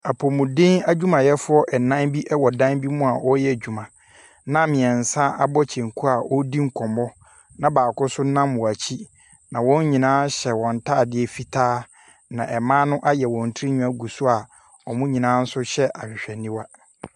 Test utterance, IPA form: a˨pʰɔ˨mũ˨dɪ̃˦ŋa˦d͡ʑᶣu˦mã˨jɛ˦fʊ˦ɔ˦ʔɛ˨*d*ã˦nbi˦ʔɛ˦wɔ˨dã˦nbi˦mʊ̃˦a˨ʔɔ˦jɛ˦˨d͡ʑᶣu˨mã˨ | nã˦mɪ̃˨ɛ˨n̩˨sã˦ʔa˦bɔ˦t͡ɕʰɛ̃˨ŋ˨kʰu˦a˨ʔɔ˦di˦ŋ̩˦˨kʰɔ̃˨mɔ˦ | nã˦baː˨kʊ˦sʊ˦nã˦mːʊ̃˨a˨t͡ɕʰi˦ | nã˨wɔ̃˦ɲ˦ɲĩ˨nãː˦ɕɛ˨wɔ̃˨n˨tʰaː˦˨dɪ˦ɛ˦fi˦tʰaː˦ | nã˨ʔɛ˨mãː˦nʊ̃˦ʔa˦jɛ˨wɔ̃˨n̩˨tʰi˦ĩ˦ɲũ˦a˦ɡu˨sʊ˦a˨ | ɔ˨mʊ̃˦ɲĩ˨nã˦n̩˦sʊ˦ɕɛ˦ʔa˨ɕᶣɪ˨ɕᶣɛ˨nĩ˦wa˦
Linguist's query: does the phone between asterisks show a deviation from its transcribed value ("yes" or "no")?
yes